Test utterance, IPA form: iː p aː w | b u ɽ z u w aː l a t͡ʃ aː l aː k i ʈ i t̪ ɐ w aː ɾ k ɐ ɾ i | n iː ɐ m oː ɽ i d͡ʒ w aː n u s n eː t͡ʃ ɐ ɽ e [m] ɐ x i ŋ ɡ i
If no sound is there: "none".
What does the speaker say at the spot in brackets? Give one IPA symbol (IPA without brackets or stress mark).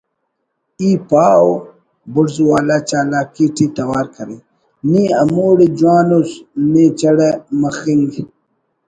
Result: m